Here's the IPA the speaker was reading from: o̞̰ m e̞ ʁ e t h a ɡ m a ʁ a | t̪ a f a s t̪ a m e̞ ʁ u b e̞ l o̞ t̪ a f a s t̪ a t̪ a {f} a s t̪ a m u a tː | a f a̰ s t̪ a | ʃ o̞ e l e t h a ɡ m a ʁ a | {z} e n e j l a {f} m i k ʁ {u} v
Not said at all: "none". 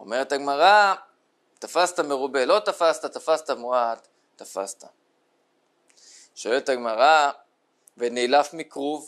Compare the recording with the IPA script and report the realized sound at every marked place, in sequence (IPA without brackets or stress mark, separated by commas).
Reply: f, v, f, u